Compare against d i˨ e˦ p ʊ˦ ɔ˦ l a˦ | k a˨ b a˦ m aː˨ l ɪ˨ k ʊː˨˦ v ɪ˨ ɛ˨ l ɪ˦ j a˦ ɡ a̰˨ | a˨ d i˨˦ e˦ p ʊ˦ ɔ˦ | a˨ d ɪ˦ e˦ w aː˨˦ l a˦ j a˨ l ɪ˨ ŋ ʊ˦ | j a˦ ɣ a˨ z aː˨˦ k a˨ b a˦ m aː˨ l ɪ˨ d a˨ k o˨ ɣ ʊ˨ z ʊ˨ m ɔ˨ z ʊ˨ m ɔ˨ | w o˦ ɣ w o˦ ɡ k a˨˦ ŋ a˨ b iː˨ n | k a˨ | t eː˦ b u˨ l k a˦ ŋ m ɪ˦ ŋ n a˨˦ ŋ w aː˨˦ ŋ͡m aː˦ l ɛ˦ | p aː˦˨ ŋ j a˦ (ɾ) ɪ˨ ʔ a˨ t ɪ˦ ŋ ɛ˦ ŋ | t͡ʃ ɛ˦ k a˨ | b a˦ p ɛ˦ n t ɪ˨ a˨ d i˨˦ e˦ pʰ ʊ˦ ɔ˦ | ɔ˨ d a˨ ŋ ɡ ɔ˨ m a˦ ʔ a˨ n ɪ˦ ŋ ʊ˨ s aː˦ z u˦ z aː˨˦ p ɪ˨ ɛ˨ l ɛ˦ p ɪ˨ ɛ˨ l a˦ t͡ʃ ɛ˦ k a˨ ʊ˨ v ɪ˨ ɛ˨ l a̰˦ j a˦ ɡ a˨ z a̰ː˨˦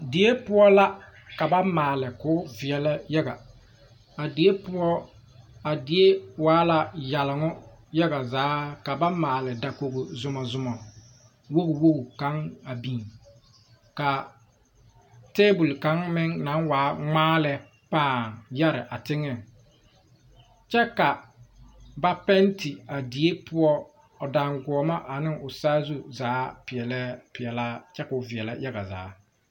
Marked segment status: correct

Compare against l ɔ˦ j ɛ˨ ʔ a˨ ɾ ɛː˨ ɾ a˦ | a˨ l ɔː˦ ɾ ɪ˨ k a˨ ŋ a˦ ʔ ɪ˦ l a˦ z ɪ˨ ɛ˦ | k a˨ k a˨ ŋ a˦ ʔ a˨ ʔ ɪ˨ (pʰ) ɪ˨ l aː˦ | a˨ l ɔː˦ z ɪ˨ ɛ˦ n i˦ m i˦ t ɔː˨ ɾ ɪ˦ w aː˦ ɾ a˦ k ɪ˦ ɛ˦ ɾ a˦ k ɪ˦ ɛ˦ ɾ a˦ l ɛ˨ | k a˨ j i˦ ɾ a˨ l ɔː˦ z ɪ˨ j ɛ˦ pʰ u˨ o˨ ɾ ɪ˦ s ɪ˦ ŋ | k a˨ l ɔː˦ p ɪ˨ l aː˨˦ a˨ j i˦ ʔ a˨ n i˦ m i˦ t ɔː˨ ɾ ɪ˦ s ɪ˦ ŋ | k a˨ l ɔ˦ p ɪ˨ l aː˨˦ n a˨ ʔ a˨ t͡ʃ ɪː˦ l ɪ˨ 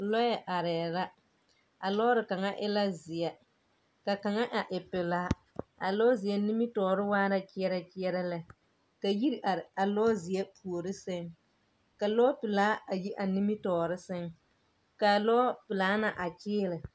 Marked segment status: incorrect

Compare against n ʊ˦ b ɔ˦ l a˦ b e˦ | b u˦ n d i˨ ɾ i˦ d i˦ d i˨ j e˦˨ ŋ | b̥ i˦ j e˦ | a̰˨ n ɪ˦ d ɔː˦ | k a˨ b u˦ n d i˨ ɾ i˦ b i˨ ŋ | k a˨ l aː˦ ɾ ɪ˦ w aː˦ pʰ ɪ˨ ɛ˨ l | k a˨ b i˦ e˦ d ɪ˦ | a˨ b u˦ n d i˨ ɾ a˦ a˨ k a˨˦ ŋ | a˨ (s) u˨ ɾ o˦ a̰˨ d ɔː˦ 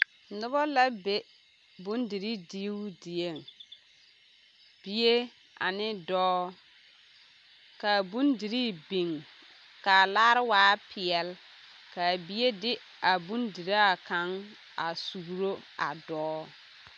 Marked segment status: correct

